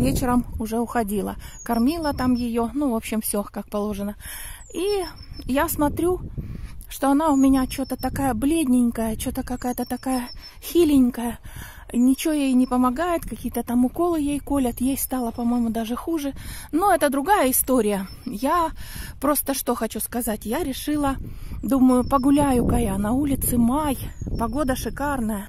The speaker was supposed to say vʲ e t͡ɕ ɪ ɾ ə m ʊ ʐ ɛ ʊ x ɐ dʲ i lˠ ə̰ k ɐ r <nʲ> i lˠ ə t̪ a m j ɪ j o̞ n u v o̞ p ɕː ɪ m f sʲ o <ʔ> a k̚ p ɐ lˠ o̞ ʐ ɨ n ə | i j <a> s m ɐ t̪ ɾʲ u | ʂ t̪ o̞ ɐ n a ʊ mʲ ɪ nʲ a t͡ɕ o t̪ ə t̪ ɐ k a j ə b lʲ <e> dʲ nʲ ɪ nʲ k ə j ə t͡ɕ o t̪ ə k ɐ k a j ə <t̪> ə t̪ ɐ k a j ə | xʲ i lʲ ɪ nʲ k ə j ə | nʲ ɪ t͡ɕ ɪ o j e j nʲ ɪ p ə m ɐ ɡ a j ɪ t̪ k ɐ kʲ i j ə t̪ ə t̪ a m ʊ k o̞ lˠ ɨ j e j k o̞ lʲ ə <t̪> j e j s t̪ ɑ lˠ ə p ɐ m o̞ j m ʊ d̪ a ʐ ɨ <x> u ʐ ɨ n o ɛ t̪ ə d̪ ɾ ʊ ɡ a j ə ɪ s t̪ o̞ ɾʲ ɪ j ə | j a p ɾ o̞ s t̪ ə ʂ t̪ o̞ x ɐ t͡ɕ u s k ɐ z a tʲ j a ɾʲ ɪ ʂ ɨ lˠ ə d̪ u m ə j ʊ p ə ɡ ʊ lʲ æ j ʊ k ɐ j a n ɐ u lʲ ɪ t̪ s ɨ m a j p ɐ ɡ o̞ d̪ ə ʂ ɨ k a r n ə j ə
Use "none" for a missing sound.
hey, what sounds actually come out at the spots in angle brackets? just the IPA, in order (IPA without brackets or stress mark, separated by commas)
mʲ, k, a, e, t̪, t̪, x